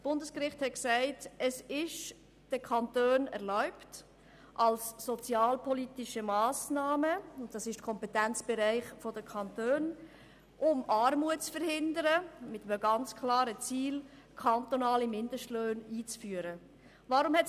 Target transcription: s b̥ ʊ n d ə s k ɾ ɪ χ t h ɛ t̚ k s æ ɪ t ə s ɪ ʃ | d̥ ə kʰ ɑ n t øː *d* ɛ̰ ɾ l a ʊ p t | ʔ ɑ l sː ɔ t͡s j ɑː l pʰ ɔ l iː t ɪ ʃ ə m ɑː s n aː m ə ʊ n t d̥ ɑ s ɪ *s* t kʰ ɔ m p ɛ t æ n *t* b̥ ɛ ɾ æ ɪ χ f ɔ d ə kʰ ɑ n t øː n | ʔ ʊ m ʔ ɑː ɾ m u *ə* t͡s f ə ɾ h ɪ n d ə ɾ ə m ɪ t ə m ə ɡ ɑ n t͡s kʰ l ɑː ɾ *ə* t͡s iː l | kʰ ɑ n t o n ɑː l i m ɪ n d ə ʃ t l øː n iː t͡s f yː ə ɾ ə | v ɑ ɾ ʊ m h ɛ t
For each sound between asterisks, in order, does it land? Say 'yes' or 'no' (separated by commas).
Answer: no, no, no, yes, yes